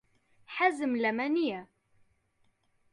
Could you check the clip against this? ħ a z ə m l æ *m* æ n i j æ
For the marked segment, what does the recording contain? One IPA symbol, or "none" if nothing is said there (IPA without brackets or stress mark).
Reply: m